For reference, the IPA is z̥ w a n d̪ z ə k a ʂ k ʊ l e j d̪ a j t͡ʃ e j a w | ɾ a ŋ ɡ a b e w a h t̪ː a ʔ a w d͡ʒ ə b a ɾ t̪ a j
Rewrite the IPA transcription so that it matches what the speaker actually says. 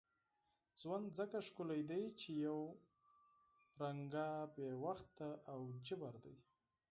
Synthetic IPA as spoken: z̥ w a n d̪ z ə k a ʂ k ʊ l a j d̪ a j t͡ʃ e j a w | ɾ a ŋ ɡ a b e w a x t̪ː a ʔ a w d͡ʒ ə b a ɾ d̪ a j